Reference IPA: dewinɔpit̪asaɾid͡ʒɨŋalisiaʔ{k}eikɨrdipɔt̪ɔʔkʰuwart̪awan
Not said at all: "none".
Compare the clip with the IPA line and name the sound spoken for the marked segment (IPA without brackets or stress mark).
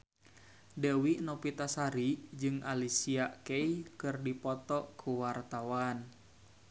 k